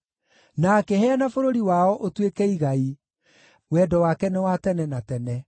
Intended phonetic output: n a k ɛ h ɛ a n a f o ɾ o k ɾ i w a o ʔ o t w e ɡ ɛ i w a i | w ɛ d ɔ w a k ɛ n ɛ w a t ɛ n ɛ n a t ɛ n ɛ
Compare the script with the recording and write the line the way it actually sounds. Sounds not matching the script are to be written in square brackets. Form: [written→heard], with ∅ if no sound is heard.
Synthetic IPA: n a k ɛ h ɛ a n a f o ɾ o [k→∅] ɾ i w a [o→ɔ] ʔ o t w e [ɡ→k] ɛ i [w→ɣ] a i | w ɛ d ɔ w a k ɛ n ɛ w a t ɛ n ɛ n a t ɛ n ɛ